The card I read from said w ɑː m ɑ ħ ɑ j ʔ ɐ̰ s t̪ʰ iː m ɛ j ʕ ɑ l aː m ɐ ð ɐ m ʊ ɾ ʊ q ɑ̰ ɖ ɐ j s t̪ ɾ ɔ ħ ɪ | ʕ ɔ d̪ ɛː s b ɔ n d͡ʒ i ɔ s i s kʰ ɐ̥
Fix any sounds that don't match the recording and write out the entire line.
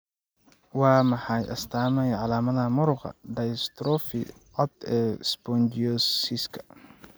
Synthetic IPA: w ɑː m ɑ ħ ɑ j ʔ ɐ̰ s t̪ʰ aː m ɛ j ʕ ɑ l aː m ɐ ð ɐ m ʊ ɾ ʊ q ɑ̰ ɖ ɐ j s t̪ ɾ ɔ f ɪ | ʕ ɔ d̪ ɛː s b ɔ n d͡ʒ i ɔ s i s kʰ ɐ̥